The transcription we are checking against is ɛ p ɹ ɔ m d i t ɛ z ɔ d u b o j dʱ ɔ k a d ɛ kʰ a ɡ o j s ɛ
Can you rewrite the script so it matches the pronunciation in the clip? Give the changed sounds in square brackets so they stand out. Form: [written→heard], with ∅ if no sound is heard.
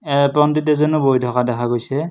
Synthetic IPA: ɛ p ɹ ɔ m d i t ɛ z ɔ [d→n] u b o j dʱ ɔ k a d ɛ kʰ a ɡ o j s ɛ